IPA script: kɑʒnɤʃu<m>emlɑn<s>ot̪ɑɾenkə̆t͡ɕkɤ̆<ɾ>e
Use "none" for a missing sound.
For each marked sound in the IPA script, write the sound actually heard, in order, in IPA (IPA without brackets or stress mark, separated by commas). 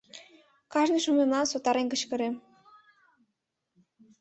m, s, ɾ